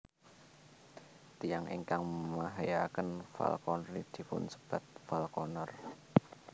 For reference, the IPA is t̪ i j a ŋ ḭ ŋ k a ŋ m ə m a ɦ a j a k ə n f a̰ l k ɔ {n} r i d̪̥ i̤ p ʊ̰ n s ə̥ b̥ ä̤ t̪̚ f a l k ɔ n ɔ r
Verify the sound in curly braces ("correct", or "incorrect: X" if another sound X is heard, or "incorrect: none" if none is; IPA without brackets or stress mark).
correct